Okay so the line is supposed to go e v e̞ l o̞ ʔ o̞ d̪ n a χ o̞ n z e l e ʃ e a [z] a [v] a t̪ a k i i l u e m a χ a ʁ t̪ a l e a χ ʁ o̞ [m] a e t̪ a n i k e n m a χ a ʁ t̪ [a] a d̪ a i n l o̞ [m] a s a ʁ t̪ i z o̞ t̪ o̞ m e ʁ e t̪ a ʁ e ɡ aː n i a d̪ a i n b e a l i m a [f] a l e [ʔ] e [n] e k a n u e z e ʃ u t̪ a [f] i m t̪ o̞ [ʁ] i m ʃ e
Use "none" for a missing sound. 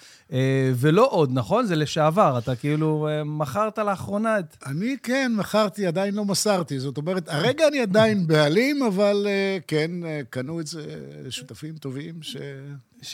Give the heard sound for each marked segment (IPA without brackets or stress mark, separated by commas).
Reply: v, ʁ, n, i, m, v, k, n, f, v